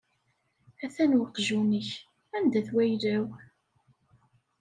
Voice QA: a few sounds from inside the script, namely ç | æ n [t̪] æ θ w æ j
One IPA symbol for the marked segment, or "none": d̪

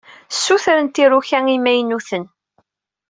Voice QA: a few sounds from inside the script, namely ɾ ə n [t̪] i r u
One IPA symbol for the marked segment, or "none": t̪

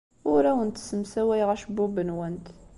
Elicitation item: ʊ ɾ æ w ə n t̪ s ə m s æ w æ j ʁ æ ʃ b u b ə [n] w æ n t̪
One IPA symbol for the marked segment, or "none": n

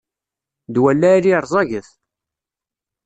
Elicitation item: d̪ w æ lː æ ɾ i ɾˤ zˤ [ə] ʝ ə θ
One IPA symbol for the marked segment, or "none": ɑ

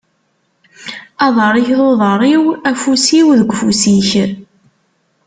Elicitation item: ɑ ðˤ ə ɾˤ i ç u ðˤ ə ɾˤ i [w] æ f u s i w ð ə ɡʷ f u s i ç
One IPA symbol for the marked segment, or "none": w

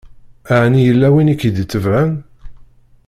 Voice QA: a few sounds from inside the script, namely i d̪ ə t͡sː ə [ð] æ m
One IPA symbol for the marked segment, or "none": v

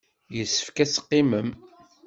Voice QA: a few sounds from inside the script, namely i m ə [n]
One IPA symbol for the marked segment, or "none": m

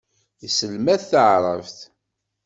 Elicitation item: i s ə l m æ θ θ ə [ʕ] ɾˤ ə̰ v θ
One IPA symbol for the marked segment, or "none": ʕ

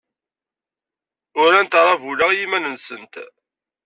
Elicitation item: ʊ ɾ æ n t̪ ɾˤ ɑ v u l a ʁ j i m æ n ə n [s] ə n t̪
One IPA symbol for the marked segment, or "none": s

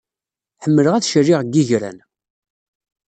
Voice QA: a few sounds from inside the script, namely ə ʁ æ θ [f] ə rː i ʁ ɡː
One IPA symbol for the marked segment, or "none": ʃ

